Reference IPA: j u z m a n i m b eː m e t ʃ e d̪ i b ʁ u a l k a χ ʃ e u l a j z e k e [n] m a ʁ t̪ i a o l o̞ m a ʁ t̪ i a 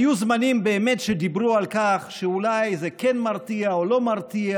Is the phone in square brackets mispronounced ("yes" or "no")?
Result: no